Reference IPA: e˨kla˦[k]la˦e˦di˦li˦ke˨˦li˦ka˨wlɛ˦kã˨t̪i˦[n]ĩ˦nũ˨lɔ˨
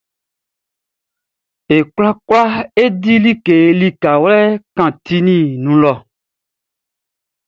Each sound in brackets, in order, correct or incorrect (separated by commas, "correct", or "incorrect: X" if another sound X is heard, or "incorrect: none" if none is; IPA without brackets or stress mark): correct, correct